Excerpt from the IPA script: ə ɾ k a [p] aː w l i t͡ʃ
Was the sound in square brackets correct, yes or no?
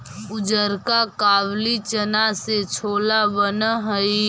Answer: no